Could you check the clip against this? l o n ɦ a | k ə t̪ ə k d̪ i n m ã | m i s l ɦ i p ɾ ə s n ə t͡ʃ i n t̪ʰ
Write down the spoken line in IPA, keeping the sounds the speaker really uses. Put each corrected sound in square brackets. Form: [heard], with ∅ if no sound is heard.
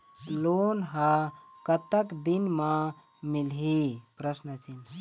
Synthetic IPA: l o n ɦ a | k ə t̪ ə k d̪ i n m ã | m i [∅] l ɦ i p ɾ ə s n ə t͡ʃ i n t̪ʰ